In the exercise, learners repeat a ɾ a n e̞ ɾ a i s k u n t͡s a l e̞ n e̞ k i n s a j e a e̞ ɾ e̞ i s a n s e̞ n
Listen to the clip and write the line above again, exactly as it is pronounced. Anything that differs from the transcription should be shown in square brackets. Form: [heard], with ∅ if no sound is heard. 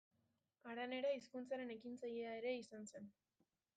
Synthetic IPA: a ɾ a n e̞ ɾ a i s k u n t͡s a [ɾ] e̞ n e̞ k i n [t͡s] a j e a e̞ ɾ e̞ i s a n s e̞ n